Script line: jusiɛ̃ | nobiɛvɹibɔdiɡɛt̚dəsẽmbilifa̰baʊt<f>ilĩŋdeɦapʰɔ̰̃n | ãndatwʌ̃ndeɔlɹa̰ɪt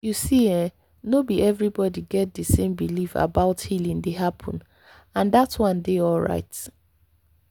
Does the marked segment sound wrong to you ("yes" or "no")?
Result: yes